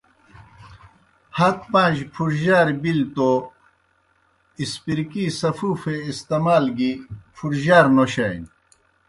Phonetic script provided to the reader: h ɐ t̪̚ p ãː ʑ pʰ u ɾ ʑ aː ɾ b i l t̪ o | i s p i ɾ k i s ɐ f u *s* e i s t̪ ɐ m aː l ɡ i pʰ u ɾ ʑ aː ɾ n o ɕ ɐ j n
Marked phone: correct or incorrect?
incorrect